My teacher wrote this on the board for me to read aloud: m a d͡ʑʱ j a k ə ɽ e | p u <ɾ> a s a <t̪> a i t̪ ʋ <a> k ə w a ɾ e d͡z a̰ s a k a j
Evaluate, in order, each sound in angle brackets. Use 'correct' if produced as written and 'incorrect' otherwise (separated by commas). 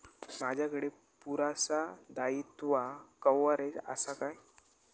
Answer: correct, incorrect, correct